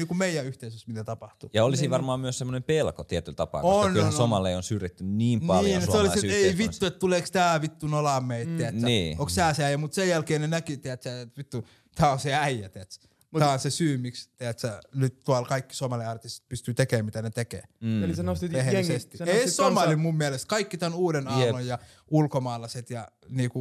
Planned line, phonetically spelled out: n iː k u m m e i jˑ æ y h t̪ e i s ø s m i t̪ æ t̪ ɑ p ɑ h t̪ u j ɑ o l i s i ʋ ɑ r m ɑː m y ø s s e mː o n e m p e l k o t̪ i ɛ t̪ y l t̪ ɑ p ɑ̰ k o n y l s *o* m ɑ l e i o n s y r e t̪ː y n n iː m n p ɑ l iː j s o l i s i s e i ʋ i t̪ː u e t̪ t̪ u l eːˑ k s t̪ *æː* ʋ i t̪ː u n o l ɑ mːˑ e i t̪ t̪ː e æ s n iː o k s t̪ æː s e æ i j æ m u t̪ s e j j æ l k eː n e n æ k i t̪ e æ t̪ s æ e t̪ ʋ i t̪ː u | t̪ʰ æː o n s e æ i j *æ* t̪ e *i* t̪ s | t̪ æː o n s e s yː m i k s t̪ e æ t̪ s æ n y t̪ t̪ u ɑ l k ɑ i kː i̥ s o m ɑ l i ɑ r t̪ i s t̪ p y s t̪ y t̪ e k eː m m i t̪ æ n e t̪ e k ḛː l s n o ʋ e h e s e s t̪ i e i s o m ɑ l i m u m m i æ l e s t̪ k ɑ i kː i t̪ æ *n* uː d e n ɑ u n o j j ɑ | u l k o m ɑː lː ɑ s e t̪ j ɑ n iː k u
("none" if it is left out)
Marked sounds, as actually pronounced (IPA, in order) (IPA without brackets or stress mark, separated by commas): o, æː, æ, æ, n